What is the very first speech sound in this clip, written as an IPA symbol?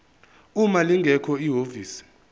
u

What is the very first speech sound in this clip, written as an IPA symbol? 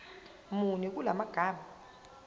m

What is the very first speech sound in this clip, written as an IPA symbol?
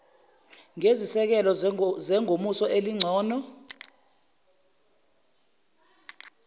ŋ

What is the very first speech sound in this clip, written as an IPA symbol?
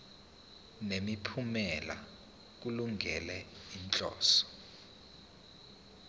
n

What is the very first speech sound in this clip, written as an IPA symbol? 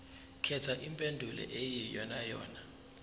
kʰ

